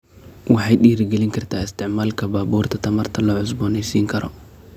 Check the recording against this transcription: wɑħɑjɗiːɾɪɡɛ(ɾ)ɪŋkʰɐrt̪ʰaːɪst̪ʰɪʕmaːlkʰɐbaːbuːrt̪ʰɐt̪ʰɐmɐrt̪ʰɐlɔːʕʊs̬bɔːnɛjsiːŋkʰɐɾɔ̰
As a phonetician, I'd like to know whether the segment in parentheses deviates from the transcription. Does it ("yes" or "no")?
yes